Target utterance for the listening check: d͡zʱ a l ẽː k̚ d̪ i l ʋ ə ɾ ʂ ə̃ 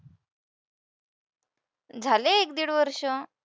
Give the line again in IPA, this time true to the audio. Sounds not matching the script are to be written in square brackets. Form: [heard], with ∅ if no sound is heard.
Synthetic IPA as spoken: d͡zʱ a l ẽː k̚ d̪ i [ɽ] ʋ ə ɾ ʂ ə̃

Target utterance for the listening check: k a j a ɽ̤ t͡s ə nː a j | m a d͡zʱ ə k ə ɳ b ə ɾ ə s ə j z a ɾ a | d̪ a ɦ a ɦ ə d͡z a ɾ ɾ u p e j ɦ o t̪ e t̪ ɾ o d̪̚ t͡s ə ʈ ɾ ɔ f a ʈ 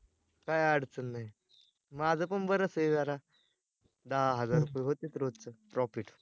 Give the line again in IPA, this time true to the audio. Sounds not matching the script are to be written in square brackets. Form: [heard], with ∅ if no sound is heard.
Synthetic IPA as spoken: k a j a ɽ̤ t͡s ə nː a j | m a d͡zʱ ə [p] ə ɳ b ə ɾ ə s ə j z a ɾ a | d̪ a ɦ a ɦ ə d͡z a ɾ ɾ u p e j ɦ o t̪ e t̪ ɾ o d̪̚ t͡s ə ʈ ɾ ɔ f [i] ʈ

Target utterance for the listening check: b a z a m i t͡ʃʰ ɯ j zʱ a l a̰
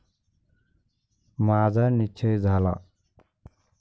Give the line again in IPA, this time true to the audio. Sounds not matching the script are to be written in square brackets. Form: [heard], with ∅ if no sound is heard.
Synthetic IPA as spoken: [m] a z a [n] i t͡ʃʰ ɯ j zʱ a l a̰

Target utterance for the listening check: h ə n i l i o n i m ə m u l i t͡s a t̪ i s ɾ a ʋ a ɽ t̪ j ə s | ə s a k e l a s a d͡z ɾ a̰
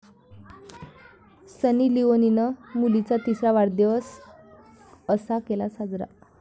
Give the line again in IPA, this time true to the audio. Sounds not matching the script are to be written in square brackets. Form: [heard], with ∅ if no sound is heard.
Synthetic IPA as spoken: [s] ə n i l i o n i [n] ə m u l i t͡s a t̪ i s ɾ a ʋ a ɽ [d̪] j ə s | ə s a k e l a s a d͡z ɾ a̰

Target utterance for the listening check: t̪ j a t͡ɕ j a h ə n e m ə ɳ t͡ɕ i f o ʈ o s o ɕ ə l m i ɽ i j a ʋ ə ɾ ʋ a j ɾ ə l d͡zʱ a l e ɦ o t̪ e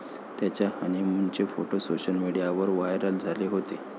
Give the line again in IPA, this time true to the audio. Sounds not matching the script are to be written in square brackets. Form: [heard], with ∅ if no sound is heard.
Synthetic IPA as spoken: t̪ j a t͡ɕ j a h ə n e m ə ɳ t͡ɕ [e] f o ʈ o s o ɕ ə l m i ɽ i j a ʋ ə ɾ ʋ a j ɾ ə l d͡zʱ a l e ɦ o t̪ e

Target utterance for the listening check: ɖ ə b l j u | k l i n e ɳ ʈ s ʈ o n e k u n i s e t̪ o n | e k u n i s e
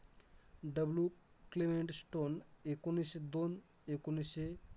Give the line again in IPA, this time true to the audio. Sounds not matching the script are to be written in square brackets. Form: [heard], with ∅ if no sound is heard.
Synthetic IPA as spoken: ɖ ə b l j u | k l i [m] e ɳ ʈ s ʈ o n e k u n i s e [d̪] o n | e k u n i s e

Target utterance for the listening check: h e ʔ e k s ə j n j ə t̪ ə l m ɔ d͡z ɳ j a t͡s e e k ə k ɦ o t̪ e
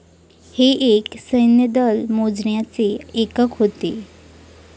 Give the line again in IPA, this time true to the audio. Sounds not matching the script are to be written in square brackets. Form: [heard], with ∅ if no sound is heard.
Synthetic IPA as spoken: h e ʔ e k s ə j n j ə [d̪] ə l m [o] d͡z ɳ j a t͡s e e k ə k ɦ o t̪ e

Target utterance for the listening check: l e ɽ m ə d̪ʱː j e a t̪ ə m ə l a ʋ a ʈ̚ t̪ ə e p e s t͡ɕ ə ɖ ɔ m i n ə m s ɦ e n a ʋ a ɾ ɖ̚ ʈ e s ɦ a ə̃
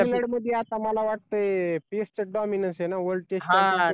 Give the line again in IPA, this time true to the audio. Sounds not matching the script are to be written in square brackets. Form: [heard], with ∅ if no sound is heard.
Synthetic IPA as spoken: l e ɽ m ə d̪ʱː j e a t̪ [a] m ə l a ʋ a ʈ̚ t̪ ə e p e s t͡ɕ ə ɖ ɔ m i n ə [n] s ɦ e n a ʋ [ə] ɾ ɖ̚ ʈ e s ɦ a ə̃

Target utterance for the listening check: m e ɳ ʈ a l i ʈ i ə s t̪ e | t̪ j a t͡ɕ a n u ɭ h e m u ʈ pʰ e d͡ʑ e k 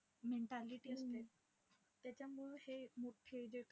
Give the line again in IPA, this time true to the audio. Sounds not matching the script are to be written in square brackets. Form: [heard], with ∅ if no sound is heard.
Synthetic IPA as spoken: m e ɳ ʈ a l i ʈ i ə s t̪ e | t̪ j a t͡ɕ a [m] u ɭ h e m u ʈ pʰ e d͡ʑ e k

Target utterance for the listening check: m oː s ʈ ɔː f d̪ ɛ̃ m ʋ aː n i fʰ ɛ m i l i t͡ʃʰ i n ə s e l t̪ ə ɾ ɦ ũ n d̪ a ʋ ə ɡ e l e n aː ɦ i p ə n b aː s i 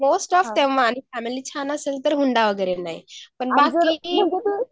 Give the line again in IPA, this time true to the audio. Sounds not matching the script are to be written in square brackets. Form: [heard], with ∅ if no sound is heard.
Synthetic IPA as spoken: m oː s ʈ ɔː f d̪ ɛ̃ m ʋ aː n i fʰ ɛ m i l i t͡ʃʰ [a] n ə s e l t̪ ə ɾ ɦ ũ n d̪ a ʋ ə ɡ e [ɾ] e n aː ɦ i p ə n b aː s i

